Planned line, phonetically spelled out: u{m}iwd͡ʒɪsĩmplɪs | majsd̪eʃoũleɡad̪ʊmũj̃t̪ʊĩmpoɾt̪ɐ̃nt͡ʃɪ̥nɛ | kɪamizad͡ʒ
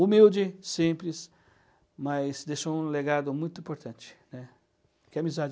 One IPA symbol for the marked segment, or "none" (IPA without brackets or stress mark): m